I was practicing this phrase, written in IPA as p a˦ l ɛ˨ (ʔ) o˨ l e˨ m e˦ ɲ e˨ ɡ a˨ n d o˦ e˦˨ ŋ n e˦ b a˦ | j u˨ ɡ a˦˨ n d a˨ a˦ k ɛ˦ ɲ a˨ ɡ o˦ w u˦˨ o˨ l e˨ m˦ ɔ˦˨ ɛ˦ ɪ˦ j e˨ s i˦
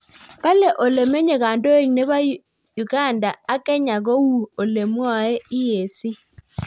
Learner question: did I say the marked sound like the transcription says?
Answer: yes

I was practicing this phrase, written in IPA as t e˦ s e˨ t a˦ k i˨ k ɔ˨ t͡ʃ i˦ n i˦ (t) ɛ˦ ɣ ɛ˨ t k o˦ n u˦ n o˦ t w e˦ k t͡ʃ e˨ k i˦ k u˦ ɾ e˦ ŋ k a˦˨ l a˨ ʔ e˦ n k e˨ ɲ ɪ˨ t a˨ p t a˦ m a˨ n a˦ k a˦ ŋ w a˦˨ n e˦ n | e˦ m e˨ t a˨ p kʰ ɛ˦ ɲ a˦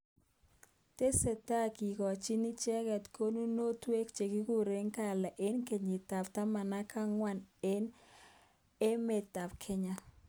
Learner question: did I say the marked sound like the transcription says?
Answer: no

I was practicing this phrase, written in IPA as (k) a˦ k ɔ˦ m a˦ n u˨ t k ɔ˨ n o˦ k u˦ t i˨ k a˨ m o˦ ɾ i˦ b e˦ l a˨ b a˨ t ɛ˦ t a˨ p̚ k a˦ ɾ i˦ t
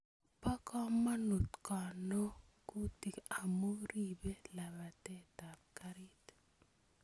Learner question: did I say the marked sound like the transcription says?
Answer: no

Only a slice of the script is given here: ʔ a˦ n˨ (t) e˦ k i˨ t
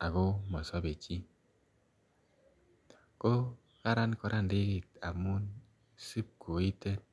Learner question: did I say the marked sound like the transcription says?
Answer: no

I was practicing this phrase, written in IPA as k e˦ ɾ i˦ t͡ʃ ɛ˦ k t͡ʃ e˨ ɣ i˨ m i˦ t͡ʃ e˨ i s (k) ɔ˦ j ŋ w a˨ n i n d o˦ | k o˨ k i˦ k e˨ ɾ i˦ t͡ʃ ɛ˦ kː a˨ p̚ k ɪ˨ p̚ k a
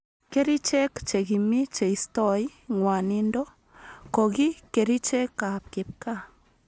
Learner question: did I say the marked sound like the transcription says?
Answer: no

